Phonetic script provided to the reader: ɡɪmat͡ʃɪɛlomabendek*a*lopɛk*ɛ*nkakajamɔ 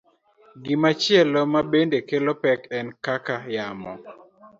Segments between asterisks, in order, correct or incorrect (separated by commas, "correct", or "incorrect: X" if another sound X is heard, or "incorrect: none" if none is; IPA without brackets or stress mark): incorrect: e, correct